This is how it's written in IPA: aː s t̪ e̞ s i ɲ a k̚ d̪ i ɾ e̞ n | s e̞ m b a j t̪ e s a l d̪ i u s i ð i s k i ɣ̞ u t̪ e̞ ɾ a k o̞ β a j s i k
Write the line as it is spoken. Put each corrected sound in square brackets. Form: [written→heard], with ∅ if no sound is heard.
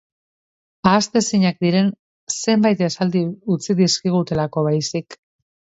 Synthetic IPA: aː s t̪ e̞ s i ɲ a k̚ d̪ i ɾ e̞ n | s e̞ m b a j t̪ e s a l d̪ i u [s→t͡s] i ð i s k i ɣ̞ u t̪ e̞ [ɾ→l] a k o̞ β a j s i k